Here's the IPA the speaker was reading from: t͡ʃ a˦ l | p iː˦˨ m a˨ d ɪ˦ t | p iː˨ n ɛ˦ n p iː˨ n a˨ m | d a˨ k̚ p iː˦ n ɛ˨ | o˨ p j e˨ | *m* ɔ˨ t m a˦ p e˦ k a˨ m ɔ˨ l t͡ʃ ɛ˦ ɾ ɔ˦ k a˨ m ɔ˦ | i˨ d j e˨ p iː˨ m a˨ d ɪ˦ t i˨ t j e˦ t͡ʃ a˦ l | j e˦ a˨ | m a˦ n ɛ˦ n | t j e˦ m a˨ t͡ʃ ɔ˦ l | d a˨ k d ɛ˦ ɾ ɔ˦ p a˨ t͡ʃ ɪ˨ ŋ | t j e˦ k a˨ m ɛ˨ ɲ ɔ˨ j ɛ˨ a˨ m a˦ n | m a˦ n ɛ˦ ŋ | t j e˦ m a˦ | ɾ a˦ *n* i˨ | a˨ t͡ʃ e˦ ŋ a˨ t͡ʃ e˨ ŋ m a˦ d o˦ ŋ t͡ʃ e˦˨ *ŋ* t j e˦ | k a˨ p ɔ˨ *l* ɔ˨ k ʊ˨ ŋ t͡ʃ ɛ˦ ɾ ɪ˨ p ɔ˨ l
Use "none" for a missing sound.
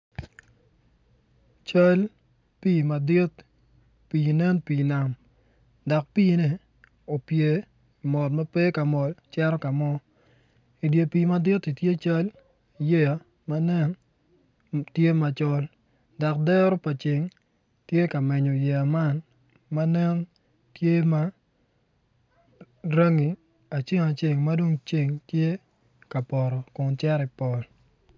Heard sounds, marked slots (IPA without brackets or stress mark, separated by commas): m, ŋ, ŋ, ɾ